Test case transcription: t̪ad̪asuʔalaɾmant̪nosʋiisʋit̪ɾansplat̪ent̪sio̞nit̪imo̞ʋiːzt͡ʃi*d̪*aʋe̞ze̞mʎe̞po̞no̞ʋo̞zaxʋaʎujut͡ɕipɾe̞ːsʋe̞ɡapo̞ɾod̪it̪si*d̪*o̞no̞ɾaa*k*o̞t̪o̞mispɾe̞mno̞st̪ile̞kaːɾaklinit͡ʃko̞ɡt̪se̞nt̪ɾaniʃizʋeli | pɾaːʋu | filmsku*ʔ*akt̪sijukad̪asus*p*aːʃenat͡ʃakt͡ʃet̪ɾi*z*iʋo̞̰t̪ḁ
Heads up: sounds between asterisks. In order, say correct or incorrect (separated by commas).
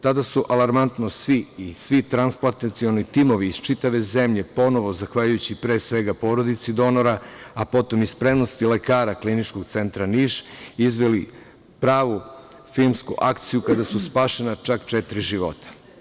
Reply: incorrect, correct, incorrect, correct, correct, incorrect